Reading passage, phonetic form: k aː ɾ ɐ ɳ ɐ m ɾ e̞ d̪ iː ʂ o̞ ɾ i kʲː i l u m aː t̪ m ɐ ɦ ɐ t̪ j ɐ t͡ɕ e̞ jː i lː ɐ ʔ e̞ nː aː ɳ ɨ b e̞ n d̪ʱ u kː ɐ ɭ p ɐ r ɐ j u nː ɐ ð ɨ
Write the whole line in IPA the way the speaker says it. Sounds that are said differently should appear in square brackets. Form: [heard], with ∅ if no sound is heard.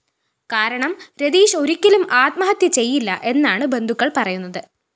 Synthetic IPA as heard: k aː ɾ ɐ ɳ ɐ m ɾ e̞ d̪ iː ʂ o̞ ɾ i kʲː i l u m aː t̪ m ɐ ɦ ɐ t̪ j ɐ t͡ɕ e̞ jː i lː ɐ ʔ e̞ nː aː ɳ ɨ b e̞ n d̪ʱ u kː ɐ ɭ p ɐ r ɐ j u nː ɐ ð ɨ